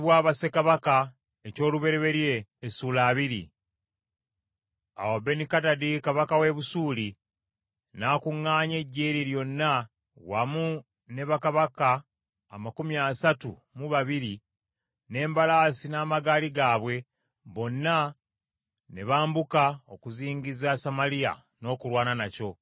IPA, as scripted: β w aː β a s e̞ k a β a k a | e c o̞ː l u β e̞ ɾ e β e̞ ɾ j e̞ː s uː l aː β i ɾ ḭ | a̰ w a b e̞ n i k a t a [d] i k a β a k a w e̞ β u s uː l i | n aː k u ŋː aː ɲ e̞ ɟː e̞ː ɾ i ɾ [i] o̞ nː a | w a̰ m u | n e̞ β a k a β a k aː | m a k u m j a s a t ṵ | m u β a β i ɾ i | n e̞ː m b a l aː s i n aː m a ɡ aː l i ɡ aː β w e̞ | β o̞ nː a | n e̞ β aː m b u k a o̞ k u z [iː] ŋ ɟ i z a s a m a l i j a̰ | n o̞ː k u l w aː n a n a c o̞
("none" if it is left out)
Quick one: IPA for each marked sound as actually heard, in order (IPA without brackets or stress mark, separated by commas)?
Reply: d, j, iː